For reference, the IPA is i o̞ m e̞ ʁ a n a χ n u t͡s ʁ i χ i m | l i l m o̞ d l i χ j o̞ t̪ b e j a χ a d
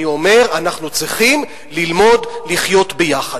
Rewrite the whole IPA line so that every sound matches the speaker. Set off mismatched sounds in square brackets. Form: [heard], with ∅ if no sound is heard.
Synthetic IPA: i o̞ m e̞ ʁ a n a χ n u t͡s ʁ i χ i m | l i l m o̞ d l i χ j o̞ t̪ b e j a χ a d

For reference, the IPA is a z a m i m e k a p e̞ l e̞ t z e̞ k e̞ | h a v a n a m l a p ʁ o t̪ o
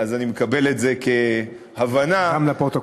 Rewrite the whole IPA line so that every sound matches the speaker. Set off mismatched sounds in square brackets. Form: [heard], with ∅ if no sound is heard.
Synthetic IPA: a z a [n] i m e k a [b] e̞ l e̞ t z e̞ k e̞ | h a v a n a m l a p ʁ o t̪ o

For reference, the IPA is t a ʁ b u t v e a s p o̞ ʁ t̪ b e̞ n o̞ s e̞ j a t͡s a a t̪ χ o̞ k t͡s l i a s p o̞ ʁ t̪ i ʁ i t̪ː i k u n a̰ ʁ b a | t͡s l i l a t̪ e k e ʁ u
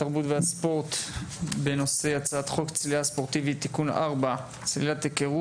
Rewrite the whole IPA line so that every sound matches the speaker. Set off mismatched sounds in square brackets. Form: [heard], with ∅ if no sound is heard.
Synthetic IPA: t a ʁ b u t v e a s p o̞ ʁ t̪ b e̞ n o̞ s e̞ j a t͡s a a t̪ χ o̞ k t͡s l i a s p o̞ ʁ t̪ i [v] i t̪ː i k u n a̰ ʁ b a | t͡s l i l a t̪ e k e ʁ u

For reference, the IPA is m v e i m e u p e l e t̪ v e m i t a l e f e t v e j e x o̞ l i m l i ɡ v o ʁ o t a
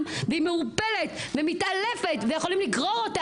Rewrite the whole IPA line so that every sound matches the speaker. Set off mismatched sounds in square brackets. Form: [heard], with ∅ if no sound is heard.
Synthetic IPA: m v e i m e u p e l e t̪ v e m i t a l e f e t v e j e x o̞ l i m l i ɡ [ʁ] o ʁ o t a

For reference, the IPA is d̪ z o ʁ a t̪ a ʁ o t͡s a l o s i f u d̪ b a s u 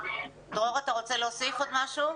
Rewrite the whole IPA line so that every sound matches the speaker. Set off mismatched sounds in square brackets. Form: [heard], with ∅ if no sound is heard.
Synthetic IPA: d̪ [ʁ] o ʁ a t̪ a ʁ o t͡s [e] l o s i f [o] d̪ [m] a [ʃ] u

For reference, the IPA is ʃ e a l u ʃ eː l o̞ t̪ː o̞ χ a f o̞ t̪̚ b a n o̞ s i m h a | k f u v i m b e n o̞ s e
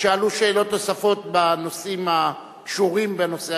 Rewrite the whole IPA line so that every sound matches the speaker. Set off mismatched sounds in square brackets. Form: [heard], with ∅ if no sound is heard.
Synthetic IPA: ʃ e a l u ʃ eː l o̞ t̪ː o̞ [s] a f o̞ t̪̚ b a n o̞ s i m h a | k [ʃ] u [ʁ] i m b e n o̞ s e

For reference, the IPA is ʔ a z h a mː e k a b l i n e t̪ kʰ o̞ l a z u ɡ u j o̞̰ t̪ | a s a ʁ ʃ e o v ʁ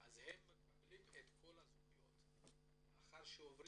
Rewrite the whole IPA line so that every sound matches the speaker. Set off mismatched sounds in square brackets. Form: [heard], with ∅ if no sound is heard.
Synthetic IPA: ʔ a z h [e] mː e k a b l i [m] e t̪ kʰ o̞ l a z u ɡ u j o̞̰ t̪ | a [χ] a ʁ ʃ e o v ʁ

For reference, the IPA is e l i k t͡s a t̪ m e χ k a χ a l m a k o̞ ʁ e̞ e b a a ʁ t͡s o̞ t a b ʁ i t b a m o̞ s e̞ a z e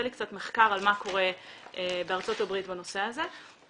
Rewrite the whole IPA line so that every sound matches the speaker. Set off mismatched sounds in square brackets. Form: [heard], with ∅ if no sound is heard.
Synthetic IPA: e l i k t͡s a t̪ m e χ k a [ʁ] a l m a k o̞ ʁ e̞ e b [e] a ʁ t͡s o̞ t a b ʁ i t b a [n] o̞ s e̞ a z e

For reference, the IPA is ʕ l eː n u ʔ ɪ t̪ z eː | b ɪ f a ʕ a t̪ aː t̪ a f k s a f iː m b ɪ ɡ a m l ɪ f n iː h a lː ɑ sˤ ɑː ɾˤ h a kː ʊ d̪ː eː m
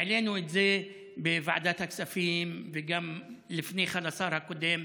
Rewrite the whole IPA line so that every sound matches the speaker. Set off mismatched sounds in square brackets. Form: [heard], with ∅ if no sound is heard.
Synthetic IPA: ʕ l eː n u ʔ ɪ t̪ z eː | b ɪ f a ʕ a [d̪] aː t̪ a [∅] k s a f iː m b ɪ ɡ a m l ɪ f n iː [x] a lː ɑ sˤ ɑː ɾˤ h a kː ʊ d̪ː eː m

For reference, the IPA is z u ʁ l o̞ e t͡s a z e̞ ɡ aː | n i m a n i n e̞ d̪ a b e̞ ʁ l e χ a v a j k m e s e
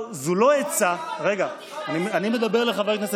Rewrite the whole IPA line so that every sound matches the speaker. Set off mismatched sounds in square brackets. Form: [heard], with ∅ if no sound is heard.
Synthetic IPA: z u [∅] l o̞ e t͡s a [ʁ] e̞ ɡ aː | n i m a n i [m] e̞ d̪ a b e̞ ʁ l e χ a v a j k [n] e s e

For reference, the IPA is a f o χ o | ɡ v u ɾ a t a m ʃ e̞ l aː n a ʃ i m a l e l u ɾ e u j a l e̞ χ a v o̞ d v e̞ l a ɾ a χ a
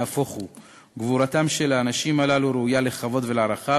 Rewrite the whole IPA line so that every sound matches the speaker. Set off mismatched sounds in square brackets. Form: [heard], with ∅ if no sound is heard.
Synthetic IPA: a f o χ [u] | ɡ v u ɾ a t a m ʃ e̞ l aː n a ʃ i m a l [a] l u ɾ e u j a l e̞ χ a v o̞ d v e̞ l a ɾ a χ a

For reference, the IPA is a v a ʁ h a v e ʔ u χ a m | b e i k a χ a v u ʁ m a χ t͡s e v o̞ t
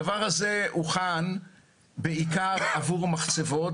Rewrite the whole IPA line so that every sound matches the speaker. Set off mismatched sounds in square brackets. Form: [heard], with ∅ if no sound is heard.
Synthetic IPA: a v a ʁ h a [z] e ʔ u χ a [n] | b e i k a [ʁ] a v u ʁ m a χ t͡s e v o̞ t

